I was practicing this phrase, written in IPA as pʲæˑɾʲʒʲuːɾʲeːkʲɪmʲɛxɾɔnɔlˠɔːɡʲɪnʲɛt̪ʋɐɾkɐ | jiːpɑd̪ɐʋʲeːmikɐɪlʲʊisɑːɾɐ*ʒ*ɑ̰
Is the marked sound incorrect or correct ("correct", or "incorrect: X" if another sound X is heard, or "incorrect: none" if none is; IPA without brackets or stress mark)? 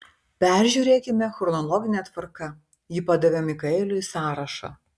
incorrect: ʃ